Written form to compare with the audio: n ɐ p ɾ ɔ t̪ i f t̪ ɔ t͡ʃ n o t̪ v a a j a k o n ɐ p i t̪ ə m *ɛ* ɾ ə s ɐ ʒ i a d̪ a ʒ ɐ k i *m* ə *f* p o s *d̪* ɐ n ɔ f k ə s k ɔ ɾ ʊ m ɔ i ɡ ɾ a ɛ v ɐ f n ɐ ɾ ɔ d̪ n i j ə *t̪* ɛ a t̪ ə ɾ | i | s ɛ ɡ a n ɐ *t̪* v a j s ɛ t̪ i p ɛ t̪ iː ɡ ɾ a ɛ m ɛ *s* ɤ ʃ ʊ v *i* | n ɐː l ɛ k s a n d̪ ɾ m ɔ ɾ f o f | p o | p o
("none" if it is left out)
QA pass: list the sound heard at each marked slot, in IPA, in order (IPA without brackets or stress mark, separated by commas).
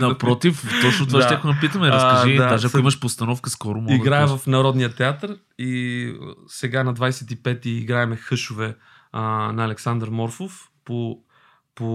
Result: ɛ, m, ʃ, t̪, t̪, d̪, x, ɛ